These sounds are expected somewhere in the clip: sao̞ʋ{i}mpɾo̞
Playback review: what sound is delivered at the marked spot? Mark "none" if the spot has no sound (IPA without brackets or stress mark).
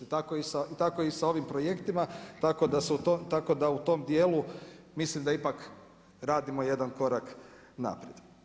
i